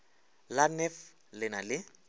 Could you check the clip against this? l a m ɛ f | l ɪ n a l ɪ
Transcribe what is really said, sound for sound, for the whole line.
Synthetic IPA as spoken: l a n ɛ f | l ɪ n a l ɪ